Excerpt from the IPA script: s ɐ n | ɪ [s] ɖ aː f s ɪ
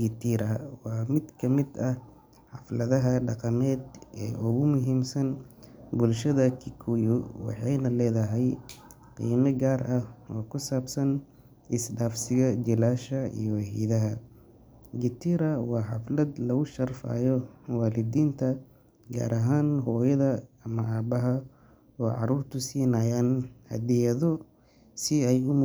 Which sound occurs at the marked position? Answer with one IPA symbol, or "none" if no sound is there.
s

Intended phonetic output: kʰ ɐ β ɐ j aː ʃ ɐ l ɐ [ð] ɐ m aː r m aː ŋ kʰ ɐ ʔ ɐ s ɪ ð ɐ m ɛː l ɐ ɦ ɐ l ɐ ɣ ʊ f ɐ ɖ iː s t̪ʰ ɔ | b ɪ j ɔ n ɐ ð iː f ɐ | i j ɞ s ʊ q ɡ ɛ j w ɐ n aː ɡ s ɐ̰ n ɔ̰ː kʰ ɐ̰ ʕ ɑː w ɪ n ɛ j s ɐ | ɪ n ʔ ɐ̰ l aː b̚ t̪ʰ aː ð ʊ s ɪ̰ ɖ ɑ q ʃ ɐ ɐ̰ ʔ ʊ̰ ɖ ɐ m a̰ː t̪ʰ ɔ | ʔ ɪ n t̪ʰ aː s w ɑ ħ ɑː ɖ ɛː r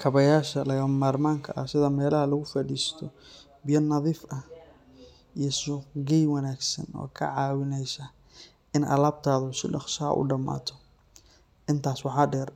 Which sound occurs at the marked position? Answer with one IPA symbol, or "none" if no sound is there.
ɣ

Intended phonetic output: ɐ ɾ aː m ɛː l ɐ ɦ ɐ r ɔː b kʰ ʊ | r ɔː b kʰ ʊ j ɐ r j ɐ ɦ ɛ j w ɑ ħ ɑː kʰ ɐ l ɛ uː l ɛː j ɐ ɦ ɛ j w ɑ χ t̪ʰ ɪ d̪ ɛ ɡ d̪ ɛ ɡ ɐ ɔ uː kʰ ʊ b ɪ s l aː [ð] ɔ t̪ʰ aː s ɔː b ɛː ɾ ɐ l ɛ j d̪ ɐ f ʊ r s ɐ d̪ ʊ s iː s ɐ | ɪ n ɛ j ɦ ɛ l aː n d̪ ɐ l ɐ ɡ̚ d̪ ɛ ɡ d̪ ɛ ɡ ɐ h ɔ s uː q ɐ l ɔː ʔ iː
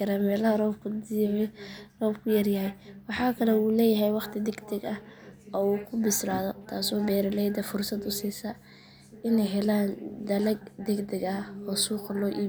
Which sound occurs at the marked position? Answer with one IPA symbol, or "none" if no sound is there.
ð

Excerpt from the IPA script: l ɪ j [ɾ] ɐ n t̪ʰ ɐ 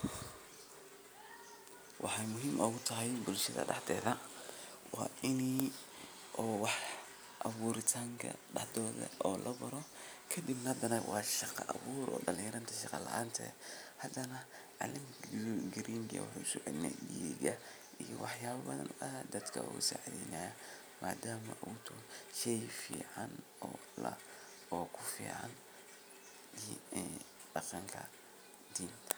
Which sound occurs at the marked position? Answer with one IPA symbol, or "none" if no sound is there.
ɾ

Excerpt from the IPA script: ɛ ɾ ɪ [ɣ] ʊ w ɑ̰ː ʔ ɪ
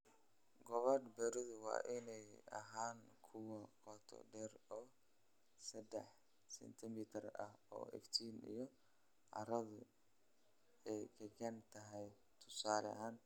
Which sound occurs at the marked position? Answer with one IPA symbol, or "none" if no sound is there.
ð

